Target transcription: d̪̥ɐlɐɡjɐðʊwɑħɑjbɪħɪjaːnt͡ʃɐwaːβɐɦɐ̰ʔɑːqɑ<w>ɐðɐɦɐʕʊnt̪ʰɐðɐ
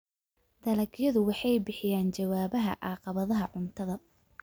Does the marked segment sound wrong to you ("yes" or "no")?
yes